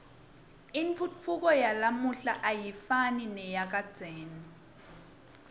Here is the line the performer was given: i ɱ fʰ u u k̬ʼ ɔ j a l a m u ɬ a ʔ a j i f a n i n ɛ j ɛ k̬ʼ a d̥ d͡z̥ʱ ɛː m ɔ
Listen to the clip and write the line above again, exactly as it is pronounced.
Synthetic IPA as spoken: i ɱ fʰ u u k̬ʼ ɔ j a l a m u ɬ a ʔ a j i f a n i n ɛ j a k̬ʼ a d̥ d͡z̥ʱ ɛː n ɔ